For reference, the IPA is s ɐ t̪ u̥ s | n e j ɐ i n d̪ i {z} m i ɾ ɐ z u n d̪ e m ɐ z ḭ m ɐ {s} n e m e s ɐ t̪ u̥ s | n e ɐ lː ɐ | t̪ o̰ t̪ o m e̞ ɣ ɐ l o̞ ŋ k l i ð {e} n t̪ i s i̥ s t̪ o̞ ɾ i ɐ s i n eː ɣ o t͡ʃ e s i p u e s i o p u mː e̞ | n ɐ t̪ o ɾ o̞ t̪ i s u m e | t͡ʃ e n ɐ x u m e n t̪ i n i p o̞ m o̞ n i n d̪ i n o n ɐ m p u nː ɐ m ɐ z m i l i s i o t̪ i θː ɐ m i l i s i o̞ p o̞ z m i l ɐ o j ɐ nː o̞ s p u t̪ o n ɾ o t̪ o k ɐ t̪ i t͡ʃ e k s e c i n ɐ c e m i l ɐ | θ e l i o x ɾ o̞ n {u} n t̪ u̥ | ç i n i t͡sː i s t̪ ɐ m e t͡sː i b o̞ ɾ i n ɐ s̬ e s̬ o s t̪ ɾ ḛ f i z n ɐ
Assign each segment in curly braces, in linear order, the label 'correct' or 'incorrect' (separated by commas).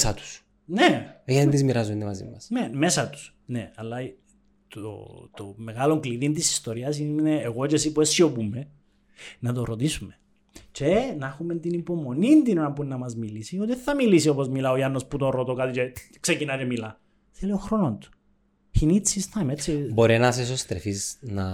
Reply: correct, correct, incorrect, incorrect